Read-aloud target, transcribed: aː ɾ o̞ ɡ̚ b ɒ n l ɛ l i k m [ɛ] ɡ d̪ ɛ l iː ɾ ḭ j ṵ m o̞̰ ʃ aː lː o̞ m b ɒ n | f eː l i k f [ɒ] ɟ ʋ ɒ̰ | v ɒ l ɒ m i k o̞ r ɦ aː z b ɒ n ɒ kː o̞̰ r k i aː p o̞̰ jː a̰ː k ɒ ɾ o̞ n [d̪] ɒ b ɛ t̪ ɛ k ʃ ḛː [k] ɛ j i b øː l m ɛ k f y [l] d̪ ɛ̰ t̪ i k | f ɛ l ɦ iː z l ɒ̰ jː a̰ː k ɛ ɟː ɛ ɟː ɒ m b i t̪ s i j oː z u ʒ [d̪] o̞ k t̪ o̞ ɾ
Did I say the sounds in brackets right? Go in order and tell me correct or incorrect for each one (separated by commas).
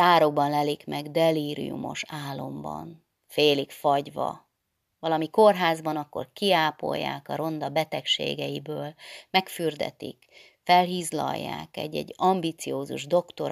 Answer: correct, correct, correct, incorrect, incorrect, correct